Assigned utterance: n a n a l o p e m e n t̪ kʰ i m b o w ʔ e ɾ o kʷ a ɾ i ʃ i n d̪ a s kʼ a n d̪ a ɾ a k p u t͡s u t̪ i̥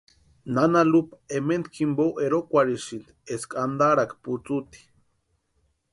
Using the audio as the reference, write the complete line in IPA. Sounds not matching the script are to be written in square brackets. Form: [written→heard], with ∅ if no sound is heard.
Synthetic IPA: n a n a l [o→u] p e m e n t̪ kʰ i m b o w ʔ e ɾ o kʷ a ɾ i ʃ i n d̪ [a→e] s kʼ a n d̪ a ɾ a k p u t͡s u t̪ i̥

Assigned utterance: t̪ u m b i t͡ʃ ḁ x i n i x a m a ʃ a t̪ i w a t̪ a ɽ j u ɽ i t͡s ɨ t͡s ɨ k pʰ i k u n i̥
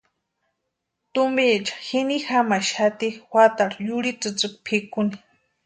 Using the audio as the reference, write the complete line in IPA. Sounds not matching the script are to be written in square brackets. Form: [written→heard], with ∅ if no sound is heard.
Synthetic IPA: t̪ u m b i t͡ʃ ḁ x i n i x a m a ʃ a t̪ i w a t̪ a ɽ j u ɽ i t͡s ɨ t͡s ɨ k pʰ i k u n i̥

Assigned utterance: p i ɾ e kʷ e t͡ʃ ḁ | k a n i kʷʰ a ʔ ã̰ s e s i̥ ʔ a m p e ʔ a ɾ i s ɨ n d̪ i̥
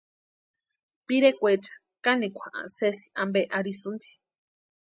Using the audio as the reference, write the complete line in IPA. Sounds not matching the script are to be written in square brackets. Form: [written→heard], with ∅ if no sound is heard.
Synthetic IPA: p i ɾ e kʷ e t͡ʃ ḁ | k a n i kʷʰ a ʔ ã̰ s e s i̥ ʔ a m [p→b] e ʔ a ɾ i s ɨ n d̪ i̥

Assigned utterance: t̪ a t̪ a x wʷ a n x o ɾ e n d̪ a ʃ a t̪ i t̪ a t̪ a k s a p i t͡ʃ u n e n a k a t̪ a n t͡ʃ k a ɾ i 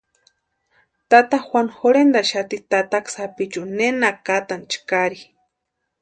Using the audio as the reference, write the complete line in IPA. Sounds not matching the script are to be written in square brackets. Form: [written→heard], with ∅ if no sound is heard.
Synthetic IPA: t̪ a t̪ a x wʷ a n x o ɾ e n d̪ a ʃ a t̪ i t̪ a t̪ a k s a p i t͡ʃ u n e n a k a t̪ a n t͡ʃ k a ɾ i

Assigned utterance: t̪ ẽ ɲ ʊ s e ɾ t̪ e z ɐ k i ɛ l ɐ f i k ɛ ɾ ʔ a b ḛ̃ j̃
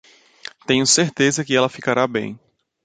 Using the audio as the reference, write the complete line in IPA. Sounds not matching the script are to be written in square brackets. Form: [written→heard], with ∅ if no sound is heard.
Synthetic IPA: t̪ ẽ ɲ ʊ s e ɾ t̪ e z ɐ k [i→ɪ] ɛ l ɐ f i k [ɛ→a] ɾ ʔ a b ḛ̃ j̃

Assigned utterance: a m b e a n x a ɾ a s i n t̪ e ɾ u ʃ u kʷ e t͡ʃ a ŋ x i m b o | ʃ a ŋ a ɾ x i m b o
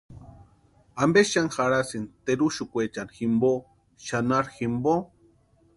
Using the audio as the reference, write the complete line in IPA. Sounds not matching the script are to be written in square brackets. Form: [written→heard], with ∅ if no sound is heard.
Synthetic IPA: a m b e a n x a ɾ a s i n t̪ e ɾ u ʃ u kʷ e t͡ʃ a [ŋ→n] x i m b o | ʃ a [ŋ→n] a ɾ x i m b o

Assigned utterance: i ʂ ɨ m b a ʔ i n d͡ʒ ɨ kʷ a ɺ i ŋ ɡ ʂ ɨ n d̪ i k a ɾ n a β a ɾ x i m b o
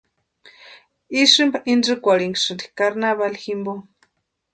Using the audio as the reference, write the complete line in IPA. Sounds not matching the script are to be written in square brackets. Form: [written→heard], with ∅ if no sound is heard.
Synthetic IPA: i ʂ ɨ m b a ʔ i n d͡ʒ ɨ kʷ a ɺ i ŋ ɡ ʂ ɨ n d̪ i k a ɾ n a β a [ɾ→l] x i m b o

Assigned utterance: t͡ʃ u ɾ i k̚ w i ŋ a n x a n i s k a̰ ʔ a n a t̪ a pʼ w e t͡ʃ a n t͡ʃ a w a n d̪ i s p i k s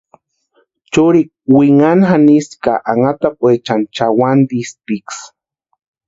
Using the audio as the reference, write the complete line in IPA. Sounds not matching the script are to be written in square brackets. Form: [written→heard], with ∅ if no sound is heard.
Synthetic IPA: t͡ʃ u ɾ i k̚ w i ŋ a n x a n i s k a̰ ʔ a [n→ŋ] a t̪ a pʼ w e t͡ʃ a n t͡ʃ a w a n d̪ i s p i k s

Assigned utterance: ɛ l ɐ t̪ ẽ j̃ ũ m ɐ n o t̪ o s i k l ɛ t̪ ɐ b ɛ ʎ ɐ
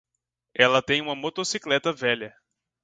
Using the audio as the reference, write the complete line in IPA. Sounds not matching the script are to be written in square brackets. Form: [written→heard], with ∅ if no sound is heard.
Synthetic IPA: ɛ l ɐ t̪ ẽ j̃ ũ m ɐ [n→m] o t̪ o s i k l ɛ t̪ ɐ [b→v] ɛ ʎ ɐ

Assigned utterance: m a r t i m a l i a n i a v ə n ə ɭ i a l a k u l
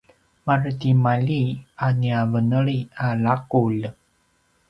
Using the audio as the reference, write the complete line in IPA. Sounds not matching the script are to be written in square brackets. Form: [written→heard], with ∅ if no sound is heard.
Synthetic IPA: m a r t i m a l i a n i a v ə n ə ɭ i a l a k u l

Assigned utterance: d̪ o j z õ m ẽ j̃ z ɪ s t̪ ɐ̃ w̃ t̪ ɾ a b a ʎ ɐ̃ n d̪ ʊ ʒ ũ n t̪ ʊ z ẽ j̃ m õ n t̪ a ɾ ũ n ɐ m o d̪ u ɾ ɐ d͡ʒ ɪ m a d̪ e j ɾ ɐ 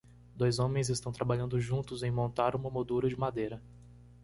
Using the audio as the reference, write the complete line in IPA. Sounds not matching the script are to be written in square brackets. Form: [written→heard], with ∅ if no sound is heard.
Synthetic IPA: d̪ o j z õ m ẽ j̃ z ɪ s t̪ ɐ̃ w̃ t̪ ɾ a b a ʎ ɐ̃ n d̪ ʊ ʒ ũ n t̪ ʊ z ẽ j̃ m õ n t̪ a ɾ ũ [n→m] ɐ m o d̪ u ɾ ɐ d͡ʒ ɪ m a d̪ e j ɾ ɐ

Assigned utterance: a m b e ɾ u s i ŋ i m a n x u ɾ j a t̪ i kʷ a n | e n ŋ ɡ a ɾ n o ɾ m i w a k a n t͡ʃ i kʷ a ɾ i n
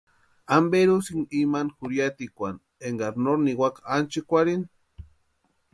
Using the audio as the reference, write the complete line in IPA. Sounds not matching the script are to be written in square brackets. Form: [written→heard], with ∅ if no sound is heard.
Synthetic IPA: a m b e ɾ u s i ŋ i m a n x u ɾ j a t̪ i kʷ a n | e [n→∅] ŋ ɡ a ɾ n o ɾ [m→n] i w a k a n t͡ʃ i kʷ a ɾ i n

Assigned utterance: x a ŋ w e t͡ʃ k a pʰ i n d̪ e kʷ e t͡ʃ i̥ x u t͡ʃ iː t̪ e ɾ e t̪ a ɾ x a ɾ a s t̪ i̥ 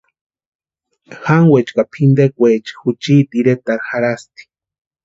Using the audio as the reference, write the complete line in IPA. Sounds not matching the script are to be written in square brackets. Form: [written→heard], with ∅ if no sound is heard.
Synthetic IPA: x a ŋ w e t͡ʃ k a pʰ i n d̪ e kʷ e t͡ʃ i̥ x u t͡ʃ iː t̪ [e→i] ɾ e t̪ a ɾ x a ɾ a s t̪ i̥

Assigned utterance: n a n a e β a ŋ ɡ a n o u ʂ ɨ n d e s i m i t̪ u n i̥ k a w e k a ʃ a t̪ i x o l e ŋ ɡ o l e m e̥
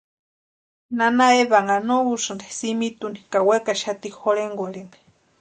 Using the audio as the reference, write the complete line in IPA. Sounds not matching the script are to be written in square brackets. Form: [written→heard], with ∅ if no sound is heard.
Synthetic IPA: n a n a e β a ŋ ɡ a n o u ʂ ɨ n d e s i m i t̪ u n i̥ k a w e k a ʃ a t̪ i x o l e ŋ ɡ o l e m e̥

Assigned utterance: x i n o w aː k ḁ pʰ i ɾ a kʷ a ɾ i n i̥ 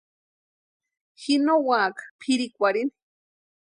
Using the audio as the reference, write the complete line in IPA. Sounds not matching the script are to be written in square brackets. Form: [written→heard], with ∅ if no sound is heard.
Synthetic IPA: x i n o w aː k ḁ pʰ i ɾ [a→i] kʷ a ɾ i n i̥

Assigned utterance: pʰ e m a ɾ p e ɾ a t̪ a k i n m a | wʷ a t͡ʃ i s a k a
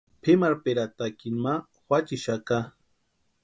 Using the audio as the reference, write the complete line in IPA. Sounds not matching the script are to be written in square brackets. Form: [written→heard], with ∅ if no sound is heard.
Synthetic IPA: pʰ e m a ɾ p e ɾ a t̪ a k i n m a | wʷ a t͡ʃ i [s→ʃ] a k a

